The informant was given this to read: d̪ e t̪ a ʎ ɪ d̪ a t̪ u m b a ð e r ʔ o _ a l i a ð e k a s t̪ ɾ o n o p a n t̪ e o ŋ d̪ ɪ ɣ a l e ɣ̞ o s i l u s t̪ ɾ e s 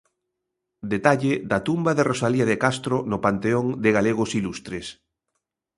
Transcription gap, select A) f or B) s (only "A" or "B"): B